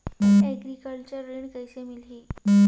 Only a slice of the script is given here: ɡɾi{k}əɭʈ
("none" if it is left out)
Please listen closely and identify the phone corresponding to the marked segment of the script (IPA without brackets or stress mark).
k